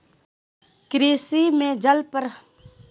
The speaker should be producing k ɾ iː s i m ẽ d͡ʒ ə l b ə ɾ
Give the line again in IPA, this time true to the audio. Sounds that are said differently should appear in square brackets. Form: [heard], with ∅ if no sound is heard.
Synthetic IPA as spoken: k ɾ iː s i m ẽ d͡ʒ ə l [p] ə ɾ